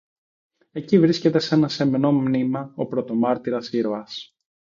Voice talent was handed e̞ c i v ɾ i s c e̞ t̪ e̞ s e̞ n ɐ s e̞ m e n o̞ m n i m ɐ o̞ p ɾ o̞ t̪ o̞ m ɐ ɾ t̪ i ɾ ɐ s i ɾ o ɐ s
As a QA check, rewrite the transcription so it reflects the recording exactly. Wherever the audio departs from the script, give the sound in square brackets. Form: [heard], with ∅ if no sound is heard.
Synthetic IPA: e̞ c i v ɾ i s c e̞ t̪ e̞ s e̞ n ɐ s e̞ m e n o̞ m n i m ɐ o̞ p ɾ o̞ t̪ o̞ m ɐ ɾ t̪ i ɾ ɐ s i ɾ o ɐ s

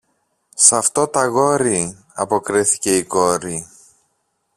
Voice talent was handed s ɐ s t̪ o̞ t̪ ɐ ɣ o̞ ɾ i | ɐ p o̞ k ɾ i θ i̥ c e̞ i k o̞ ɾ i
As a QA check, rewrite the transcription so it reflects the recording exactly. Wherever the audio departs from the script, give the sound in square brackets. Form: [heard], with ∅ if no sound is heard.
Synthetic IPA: s ɐ [f] t̪ o̞ t̪ ɐ ɣ o̞ ɾ i | ɐ p o̞ k ɾ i θ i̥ c e̞ i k o̞ ɾ i

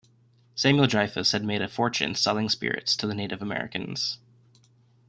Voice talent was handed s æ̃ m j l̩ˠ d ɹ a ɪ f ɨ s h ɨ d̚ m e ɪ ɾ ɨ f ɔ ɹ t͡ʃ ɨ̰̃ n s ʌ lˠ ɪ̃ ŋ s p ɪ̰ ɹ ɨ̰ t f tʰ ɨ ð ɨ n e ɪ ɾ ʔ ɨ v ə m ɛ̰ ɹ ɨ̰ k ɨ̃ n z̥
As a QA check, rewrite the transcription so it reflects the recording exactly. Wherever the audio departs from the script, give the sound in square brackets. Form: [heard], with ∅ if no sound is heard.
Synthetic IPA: s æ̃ m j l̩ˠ d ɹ a ɪ f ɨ s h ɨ d̚ m e ɪ ɾ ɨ f ɔ ɹ t͡ʃ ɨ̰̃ n s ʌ lˠ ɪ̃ ŋ s p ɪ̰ ɹ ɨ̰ t [s] tʰ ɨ ð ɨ n e ɪ ɾ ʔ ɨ v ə m ɛ̰ ɹ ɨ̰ k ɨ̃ n z̥

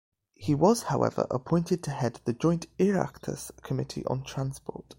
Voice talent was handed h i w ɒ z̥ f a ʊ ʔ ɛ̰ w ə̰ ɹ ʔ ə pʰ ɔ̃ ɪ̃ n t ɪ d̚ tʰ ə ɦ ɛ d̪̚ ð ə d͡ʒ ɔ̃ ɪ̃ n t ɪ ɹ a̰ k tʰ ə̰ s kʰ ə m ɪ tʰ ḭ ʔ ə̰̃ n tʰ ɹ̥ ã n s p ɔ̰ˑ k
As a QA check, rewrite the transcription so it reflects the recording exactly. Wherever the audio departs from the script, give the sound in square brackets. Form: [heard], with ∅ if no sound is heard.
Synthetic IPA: h i w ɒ z̥ [h] a ʊ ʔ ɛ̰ [v] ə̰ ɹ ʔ ə pʰ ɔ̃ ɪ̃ n t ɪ d̚ tʰ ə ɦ ɛ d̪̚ ð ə d͡ʒ ɔ̃ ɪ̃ n t ɪ ɹ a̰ k tʰ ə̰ s kʰ ə m ɪ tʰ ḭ ʔ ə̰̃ n tʰ ɹ̥ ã n s p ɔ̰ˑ [t]

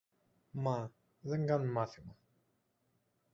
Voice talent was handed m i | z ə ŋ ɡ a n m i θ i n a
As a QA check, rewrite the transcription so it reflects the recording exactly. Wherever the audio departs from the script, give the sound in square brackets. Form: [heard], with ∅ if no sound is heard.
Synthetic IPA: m [a] | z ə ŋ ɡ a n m [a] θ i [m] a

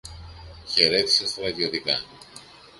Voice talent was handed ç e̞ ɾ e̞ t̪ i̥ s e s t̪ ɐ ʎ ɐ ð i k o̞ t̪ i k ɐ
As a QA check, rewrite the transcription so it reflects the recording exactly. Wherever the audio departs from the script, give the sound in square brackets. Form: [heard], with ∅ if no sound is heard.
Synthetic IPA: ç e̞ ɾ e̞ t̪ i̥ s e s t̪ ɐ [ɾ] ɐ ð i [∅] o̞ t̪ i k ɐ

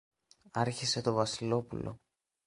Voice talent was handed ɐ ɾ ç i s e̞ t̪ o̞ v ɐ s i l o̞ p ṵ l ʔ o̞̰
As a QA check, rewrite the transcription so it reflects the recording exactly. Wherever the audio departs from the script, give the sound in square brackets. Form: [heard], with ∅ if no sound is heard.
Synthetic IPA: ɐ ɾ ç i s e̞ t̪ o̞ v ɐ s i l o̞ p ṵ l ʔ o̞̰

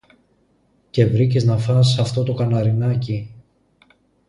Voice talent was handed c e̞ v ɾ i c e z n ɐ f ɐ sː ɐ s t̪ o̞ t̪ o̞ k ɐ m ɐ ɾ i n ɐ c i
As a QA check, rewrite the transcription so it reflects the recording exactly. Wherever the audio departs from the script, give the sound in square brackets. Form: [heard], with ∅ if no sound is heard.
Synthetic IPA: c e̞ v ɾ i c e z n ɐ f ɐ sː ɐ [f] t̪ o̞ t̪ o̞ k ɐ [n] ɐ ɾ i n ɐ c i

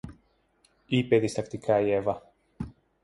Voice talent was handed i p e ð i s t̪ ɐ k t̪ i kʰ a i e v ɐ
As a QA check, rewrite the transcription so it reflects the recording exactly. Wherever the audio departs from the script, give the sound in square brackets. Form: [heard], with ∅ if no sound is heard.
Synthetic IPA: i p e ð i s t̪ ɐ k t̪ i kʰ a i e v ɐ

